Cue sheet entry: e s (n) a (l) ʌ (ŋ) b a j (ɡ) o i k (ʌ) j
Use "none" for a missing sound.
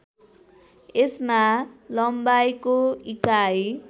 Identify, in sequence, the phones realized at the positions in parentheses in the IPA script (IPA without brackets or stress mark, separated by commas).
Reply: m, l, m, k, a